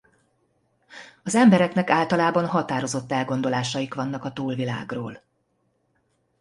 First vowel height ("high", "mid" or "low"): low